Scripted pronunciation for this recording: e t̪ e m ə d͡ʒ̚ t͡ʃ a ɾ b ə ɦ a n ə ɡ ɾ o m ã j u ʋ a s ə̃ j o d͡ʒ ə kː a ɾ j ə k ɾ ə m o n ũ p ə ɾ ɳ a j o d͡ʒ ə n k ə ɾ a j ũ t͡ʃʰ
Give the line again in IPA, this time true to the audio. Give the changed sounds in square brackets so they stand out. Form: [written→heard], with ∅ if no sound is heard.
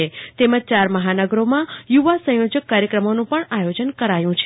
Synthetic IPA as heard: e t̪ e m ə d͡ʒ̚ t͡ʃ a ɾ [b→m] ə ɦ a n ə ɡ ɾ o m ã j u ʋ a s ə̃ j o d͡ʒ ə kː a ɾ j ə k ɾ ə m o n ũ p ə [ɾ→∅] ɳ a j o d͡ʒ ə n k ə ɾ a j ũ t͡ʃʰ